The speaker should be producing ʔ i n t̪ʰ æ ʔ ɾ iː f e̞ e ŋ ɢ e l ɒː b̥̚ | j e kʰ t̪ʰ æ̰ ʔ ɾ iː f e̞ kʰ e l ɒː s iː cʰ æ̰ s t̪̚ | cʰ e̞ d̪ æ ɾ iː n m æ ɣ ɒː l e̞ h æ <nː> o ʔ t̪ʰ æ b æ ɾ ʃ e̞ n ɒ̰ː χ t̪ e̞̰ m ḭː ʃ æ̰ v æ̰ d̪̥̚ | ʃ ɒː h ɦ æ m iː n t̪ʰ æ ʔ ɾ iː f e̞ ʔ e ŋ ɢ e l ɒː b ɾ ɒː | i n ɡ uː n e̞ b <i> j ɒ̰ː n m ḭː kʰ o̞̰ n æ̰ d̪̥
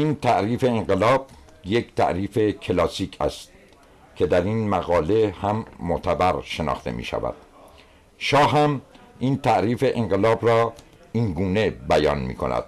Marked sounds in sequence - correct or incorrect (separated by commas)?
incorrect, incorrect